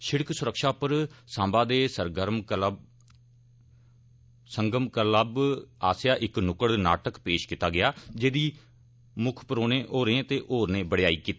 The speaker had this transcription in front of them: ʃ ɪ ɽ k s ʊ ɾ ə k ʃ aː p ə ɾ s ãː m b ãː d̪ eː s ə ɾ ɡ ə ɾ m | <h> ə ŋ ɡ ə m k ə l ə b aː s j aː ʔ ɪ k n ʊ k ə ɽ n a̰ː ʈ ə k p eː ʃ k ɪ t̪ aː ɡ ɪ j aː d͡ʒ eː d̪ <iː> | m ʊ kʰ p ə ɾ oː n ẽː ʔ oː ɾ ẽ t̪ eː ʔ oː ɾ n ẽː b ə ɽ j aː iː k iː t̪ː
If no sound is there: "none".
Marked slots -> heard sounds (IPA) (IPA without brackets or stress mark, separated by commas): s, iː